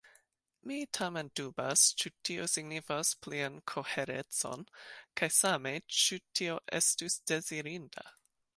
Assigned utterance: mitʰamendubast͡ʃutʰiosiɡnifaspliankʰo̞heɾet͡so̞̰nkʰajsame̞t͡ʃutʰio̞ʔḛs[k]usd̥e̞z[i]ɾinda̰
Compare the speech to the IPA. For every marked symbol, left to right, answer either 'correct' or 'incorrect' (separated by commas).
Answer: incorrect, correct